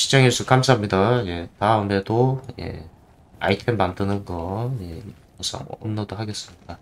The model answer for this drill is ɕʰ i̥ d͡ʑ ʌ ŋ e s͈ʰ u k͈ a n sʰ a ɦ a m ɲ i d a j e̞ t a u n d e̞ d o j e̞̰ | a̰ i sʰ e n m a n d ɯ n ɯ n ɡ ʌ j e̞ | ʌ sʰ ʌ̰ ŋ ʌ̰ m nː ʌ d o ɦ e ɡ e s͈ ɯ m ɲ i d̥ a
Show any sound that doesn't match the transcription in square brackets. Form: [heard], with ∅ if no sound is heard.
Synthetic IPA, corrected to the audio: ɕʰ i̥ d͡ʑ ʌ ŋ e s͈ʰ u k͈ a [m] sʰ a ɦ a m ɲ i d a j e̞ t a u n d e̞ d o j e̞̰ | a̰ i [tʰ] e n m a n d ɯ n ɯ n ɡ ʌ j e̞ | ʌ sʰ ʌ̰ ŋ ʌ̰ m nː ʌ d o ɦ [a] ɡ e s͈ ɯ m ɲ i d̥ a